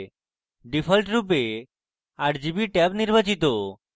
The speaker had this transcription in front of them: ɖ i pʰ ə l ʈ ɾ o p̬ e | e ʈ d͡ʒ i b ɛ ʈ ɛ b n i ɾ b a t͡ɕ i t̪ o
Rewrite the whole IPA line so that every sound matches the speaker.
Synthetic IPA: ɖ i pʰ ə l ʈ ɾ u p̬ e | a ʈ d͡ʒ i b i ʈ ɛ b n i ɾ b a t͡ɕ i t̪ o